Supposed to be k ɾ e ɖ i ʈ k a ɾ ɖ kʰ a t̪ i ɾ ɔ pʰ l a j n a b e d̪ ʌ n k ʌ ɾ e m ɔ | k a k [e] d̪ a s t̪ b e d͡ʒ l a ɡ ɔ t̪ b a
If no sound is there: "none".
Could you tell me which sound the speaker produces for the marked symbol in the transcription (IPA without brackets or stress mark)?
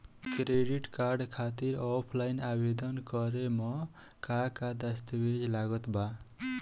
a